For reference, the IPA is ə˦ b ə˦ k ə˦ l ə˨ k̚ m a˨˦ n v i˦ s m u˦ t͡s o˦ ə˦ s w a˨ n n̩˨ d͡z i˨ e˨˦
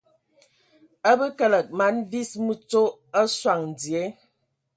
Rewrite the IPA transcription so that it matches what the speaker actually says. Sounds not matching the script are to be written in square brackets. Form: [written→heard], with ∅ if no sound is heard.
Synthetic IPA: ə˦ b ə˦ k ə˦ l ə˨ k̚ m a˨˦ n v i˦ s m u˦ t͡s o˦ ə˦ s w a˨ [n→ŋ] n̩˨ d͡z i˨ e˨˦